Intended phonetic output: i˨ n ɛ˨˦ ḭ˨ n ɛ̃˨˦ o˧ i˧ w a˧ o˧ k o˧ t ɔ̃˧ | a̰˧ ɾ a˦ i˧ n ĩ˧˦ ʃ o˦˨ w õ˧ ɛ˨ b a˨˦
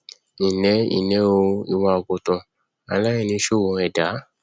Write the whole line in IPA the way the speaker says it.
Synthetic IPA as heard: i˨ n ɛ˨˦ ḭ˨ n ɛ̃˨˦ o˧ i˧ w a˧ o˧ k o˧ t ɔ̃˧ | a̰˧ l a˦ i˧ n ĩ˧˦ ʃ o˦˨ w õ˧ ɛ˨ d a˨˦